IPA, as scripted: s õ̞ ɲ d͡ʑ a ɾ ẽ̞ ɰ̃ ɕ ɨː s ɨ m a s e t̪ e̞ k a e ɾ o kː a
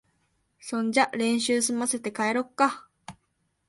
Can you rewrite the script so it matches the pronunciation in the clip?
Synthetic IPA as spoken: s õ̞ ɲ d͡ʑ a ɾ ẽ̞ ɰ̃ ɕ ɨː s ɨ m a s e t̪ e̞ k a e ɾ o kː a